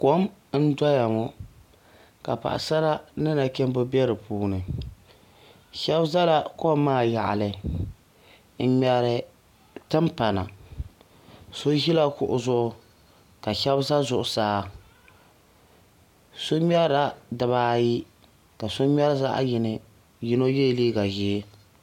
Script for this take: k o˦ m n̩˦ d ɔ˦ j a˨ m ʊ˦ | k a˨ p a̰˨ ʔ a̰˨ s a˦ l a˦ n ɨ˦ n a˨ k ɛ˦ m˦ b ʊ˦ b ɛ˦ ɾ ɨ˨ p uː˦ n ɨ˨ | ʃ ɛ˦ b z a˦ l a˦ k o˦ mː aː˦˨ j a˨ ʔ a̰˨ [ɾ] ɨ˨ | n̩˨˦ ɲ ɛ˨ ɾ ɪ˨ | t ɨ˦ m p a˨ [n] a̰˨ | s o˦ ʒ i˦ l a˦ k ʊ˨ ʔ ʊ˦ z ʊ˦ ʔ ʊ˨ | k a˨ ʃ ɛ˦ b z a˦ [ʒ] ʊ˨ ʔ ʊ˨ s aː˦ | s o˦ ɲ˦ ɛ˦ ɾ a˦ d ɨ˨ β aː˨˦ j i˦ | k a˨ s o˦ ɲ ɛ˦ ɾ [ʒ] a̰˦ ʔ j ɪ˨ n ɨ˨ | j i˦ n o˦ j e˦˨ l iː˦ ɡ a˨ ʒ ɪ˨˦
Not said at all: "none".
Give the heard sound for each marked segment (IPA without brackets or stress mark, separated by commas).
l, n, z, z